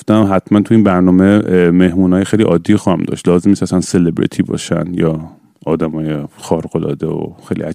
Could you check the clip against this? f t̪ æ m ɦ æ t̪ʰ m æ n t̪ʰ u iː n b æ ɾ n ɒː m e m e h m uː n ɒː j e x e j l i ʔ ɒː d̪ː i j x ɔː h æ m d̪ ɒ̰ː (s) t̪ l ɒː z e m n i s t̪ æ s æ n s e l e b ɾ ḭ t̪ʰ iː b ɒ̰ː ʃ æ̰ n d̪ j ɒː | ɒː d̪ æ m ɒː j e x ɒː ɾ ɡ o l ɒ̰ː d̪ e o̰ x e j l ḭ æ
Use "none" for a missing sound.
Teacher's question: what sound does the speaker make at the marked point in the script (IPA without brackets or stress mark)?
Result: ʃ